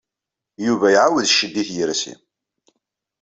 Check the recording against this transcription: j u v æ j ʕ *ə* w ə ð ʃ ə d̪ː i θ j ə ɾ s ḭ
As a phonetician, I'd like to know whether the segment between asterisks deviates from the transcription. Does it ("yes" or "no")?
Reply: yes